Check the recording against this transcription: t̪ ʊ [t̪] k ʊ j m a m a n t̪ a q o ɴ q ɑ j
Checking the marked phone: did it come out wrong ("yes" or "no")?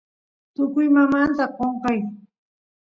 yes